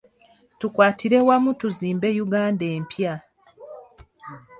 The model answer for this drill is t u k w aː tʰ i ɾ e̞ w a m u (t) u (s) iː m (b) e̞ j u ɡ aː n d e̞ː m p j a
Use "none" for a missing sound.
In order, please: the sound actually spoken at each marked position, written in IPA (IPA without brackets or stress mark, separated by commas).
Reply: t, z, b